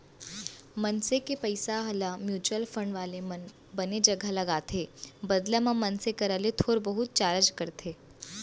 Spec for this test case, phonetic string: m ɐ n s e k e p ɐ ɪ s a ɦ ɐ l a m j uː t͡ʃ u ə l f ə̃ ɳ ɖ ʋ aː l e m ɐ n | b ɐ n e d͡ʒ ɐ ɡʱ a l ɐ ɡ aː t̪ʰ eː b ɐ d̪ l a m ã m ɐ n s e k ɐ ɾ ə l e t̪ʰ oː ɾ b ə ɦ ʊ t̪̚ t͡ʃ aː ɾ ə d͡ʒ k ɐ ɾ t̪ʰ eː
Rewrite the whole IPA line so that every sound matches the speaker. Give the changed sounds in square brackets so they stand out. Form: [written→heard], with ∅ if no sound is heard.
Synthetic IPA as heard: m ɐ n s e k e p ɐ ɪ s a ɦ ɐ l a m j uː t͡ʃ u ə l f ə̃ ɳ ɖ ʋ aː l e m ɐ n | b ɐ n e d͡ʒ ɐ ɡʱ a l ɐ ɡ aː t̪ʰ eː b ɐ d̪ l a m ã m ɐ n s e k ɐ ɾ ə l e t̪ʰ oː ɾ b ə ɦ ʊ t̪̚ t͡ʃ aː ɾ ə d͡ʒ k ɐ ɾ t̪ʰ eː